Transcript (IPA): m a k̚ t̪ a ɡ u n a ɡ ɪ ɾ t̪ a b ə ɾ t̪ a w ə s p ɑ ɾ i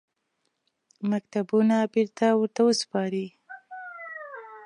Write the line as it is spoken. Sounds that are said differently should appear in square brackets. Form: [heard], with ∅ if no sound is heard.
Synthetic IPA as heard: m a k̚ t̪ a [b] u n a [b] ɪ ɾ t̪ a [w] ə ɾ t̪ a w ə s p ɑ ɾ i